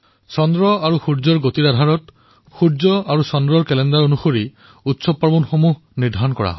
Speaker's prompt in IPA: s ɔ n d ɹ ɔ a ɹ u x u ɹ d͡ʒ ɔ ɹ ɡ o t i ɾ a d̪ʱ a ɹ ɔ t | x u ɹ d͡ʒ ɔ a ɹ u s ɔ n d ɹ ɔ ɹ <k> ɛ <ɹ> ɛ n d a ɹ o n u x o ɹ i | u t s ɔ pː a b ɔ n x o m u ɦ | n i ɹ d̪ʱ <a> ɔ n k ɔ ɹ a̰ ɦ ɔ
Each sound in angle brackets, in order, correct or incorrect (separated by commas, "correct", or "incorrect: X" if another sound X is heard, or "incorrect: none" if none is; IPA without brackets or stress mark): correct, incorrect: l, correct